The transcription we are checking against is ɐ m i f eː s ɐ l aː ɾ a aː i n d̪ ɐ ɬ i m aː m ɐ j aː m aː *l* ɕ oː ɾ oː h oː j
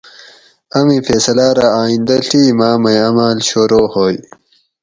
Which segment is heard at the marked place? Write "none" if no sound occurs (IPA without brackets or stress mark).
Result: l